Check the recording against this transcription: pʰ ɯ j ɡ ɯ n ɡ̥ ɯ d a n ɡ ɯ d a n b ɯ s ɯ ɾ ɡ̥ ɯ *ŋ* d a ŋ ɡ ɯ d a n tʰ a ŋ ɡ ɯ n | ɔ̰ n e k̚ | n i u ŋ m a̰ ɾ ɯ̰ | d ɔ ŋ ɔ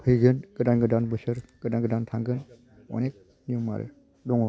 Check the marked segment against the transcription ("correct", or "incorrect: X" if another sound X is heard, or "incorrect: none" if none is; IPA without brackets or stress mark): incorrect: none